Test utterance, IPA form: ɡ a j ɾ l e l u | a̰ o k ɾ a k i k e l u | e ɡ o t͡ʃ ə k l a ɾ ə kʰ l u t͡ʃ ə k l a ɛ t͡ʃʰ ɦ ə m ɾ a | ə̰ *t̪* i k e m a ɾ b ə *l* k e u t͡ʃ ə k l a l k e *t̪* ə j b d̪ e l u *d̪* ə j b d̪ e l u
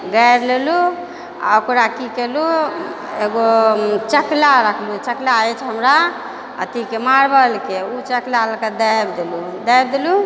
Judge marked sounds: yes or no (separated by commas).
yes, yes, no, yes